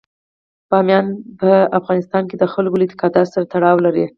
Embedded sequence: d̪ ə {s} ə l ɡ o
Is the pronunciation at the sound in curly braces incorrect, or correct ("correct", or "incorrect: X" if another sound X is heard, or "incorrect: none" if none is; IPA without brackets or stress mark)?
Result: incorrect: x